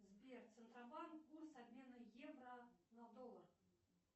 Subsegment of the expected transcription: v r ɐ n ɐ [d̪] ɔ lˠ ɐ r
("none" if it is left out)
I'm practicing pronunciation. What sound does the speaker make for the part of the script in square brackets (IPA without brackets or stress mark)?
d̪